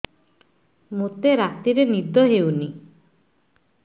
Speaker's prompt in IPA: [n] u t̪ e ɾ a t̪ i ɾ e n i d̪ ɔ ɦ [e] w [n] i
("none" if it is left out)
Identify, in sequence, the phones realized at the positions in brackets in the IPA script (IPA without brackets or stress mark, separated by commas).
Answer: m, e, n